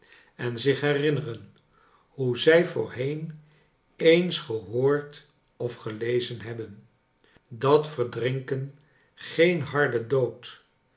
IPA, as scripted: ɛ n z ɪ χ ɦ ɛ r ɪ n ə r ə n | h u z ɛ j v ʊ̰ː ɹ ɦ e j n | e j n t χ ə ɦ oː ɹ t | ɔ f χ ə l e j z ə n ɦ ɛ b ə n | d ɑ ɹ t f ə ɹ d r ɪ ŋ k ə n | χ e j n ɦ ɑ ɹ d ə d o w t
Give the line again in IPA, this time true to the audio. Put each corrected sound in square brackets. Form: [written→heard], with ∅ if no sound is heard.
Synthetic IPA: ɛ n z ɪ χ ɦ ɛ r ɪ n ə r ə n | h u z ɛ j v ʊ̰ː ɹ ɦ e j n | e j n [t→s] χ ə ɦ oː ɹ t | ɔ f χ ə l e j z ə n ɦ ɛ b ə n | d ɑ [ɹ→∅] t f ə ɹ d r ɪ ŋ k ə n | χ e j n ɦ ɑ ɹ d ə d o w t